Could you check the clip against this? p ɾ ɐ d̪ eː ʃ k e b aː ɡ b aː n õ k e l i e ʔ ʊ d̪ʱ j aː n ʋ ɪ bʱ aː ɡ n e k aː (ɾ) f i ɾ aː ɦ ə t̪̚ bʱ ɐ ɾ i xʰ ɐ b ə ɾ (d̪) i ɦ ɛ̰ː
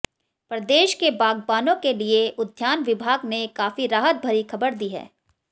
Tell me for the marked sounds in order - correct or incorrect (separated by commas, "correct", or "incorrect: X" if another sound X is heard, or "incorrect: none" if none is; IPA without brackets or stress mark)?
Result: incorrect: none, correct